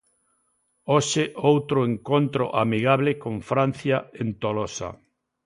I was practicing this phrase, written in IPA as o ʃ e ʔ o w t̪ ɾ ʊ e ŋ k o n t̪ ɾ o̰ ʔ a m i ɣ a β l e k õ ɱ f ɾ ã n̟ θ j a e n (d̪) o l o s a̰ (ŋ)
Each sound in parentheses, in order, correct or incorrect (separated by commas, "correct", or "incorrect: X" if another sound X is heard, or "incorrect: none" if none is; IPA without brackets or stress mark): incorrect: t̪, incorrect: none